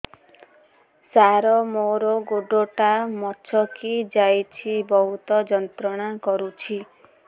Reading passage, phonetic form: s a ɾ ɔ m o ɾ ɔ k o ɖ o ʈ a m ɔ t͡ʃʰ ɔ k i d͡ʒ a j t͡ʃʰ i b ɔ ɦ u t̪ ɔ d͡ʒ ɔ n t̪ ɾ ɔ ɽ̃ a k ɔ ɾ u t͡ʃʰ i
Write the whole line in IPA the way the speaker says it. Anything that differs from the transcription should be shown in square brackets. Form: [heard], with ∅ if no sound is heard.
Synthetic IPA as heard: s a ɾ ɔ m o ɾ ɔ [ɡ] o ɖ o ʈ a m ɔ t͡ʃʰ ɔ k i d͡ʒ a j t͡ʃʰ i b ɔ ɦ u t̪ ɔ d͡ʒ ɔ n t̪ ɾ ɔ ɽ̃ a k ɔ ɾ u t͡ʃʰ i